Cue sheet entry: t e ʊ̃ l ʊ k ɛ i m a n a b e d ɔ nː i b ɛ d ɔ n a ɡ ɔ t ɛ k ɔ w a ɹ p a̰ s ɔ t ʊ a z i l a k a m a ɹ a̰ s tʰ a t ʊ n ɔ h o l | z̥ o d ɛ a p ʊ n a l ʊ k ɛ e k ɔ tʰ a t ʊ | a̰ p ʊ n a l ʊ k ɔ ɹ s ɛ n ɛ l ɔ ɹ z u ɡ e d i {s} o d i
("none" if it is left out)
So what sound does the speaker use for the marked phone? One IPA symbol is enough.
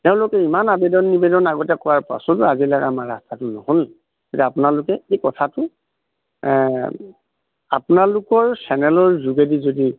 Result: z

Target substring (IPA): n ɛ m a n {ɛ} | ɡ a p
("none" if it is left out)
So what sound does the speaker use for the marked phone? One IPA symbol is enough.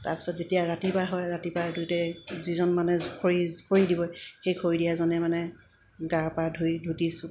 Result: ɛ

